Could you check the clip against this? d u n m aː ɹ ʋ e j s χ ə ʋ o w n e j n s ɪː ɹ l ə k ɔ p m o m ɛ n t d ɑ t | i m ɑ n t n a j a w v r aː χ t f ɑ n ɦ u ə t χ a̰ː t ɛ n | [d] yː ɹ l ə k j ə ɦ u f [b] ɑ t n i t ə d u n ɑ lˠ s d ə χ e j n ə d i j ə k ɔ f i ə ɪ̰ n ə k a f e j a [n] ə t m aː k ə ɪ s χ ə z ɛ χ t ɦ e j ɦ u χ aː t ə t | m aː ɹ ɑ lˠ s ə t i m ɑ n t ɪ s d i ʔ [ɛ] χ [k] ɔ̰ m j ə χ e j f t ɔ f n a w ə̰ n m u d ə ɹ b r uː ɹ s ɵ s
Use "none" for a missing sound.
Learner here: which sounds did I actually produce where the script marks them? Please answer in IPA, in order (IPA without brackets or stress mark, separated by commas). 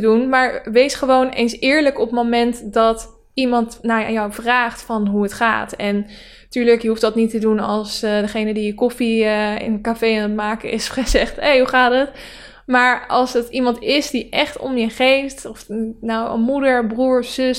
t, d, n, ɛ, t